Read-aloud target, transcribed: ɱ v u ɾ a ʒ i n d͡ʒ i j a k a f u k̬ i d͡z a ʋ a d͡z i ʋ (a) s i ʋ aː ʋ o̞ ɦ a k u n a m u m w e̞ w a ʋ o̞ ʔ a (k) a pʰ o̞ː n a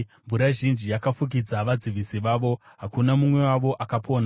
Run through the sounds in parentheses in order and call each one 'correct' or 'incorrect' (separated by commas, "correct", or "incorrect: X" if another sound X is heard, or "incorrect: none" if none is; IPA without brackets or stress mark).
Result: incorrect: i, correct